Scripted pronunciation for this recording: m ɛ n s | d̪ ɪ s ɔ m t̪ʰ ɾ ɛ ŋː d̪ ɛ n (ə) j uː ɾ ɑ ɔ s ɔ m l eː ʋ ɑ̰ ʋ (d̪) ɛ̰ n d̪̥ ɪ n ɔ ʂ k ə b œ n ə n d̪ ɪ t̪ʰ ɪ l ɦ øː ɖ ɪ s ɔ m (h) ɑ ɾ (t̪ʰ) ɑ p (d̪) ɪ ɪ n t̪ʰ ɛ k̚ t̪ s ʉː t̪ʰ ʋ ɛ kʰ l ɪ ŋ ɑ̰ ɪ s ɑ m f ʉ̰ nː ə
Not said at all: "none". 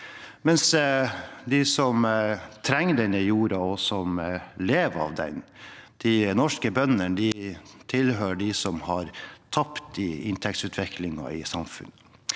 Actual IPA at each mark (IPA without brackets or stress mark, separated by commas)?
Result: ə, d̪, h, t̪ʰ, t̪